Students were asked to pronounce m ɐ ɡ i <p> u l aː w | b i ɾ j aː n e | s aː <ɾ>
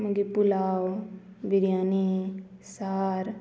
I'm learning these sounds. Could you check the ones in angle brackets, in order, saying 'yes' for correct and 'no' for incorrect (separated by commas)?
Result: yes, yes